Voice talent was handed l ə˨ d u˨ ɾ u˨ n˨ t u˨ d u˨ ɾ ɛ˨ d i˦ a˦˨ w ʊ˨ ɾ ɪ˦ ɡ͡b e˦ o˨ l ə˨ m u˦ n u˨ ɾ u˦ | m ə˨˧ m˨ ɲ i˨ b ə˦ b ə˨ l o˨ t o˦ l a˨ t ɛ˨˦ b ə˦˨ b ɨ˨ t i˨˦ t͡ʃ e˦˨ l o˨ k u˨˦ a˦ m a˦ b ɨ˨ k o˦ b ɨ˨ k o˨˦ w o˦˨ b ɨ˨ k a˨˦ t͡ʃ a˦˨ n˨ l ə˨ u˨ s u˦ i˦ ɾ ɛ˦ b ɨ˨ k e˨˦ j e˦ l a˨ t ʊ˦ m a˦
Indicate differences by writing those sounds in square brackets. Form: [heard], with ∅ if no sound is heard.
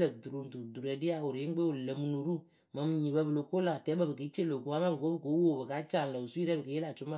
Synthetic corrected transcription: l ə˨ d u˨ ɾ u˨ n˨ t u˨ d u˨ ɾ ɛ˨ d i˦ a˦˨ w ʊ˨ ɾ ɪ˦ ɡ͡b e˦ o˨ l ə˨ m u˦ n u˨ ɾ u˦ | m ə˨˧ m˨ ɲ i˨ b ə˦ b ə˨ l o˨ [k] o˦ l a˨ t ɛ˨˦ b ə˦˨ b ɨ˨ [k] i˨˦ t͡ʃ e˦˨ l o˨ k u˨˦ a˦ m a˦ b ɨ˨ k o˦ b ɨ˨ k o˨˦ w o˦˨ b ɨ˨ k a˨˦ t͡ʃ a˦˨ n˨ l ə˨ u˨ s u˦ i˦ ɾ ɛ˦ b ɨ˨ k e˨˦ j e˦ l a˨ [t͡ʃ] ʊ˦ m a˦